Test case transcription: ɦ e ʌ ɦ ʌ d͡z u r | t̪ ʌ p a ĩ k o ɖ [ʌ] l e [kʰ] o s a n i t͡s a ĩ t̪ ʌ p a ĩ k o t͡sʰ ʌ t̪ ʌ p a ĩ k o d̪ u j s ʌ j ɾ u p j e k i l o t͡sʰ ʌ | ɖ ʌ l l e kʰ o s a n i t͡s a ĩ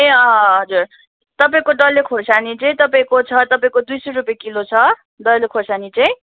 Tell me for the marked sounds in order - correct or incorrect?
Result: correct, correct

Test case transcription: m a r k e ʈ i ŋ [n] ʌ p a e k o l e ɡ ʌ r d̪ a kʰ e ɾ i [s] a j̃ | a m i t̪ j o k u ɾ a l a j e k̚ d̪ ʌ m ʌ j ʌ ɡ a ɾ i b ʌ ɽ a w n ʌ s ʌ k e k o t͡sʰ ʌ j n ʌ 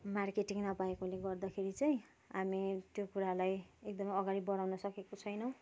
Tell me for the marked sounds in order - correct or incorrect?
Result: correct, incorrect: t͡s

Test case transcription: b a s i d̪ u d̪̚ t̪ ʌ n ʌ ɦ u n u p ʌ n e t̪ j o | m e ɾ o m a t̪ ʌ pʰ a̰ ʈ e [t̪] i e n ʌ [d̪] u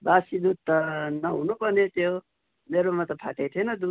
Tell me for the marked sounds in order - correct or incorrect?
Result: incorrect: t̪ʰ, correct

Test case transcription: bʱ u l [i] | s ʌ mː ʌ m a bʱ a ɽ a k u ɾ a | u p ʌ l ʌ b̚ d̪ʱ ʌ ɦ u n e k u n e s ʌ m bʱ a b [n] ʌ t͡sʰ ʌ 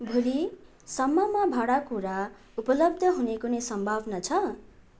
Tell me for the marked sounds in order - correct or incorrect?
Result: correct, correct

